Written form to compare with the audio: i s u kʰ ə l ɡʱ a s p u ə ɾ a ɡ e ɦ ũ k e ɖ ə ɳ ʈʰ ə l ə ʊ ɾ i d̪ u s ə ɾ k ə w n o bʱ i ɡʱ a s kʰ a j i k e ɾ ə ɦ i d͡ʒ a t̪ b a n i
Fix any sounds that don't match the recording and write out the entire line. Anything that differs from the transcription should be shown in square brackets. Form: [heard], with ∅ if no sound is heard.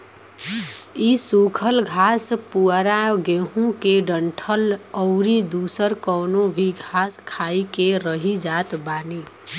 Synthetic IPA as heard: i s u kʰ ə l ɡʱ a s p u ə ɾ a ɡ e ɦ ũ k e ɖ ə ɳ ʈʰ ə l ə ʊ ɾ i d̪ u s ə ɾ k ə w n o bʱ i ɡʱ a s kʰ a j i k e ɾ ə ɦ i d͡ʒ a t̪ b a n i